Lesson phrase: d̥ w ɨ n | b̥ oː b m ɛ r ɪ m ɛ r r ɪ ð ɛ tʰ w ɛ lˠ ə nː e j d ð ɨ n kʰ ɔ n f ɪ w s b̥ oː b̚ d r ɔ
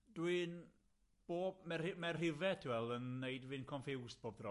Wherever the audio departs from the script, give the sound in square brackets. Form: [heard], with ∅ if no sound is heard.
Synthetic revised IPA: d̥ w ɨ n | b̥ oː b m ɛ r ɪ m ɛ r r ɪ [v] ɛ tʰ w ɛ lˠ ə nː e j d [v] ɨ n kʰ ɔ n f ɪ w s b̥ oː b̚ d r ɔ